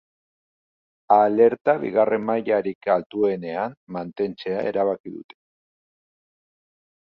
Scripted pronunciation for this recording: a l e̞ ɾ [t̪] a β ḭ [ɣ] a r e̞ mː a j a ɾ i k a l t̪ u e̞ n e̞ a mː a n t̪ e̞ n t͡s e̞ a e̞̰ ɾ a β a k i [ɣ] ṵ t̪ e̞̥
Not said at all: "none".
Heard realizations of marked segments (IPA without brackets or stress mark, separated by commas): t̪, ɣ, ð